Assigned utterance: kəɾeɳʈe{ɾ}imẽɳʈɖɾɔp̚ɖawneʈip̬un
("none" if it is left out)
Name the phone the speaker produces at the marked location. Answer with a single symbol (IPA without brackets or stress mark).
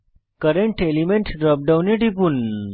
l